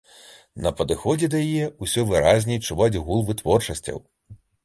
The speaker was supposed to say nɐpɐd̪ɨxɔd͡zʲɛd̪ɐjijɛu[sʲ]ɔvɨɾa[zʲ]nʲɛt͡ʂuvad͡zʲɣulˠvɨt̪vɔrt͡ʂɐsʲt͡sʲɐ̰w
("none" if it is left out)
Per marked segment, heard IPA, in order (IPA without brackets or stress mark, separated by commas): sʲ, zʲ